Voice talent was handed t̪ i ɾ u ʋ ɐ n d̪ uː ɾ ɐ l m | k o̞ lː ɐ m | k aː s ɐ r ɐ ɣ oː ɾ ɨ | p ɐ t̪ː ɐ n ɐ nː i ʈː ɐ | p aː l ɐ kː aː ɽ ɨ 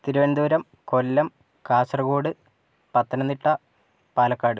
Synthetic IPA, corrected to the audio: t̪ i ɾ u ʋ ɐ n d̪ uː ɾ ɐ m | k o̞ lː ɐ m | k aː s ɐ r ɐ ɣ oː ɽ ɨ | p ɐ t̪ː ɐ n ɐ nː i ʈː ɐ | p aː l ɐ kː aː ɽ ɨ